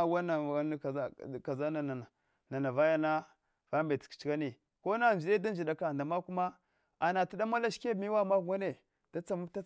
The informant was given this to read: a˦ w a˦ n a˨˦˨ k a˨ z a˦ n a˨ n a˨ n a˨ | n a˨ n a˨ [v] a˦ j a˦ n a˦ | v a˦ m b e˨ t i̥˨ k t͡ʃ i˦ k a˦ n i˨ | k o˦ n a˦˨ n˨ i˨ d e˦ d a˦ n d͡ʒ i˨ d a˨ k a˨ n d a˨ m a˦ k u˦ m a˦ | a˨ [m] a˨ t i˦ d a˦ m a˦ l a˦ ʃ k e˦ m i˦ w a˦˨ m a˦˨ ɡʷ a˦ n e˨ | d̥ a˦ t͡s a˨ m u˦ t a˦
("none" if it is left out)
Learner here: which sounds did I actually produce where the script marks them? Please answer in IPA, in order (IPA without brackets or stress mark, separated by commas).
v, n